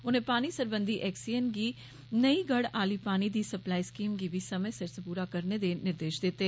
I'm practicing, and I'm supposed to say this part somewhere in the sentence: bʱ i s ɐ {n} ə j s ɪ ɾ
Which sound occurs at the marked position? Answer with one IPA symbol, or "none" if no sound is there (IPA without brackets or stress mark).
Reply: m